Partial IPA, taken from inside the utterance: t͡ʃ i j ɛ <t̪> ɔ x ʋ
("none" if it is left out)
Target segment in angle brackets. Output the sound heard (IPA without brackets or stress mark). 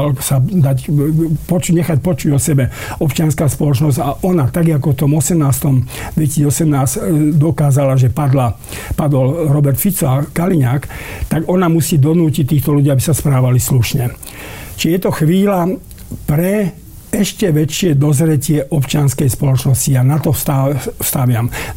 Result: t̪